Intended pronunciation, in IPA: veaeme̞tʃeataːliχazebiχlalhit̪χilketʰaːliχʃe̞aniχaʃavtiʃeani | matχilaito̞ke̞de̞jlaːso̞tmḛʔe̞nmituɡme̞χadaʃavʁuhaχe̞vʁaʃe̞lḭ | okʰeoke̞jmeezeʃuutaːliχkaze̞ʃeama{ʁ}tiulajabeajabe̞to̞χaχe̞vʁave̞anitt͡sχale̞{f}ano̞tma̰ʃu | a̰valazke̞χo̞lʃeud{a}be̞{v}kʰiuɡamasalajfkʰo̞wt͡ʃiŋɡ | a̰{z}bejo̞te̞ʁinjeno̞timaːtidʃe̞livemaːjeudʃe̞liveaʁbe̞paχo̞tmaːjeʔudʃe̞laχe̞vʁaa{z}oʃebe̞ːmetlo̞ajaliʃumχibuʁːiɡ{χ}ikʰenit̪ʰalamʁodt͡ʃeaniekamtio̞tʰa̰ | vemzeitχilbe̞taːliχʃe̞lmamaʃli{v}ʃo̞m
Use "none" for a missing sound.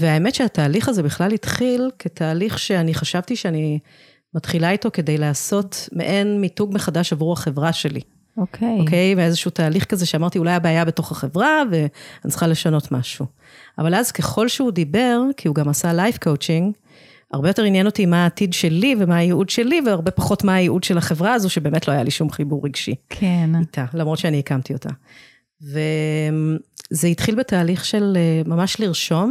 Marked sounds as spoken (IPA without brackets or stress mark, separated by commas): ʁ, ʃ, i, ʁ, ʁ, z, ʃ, ʁ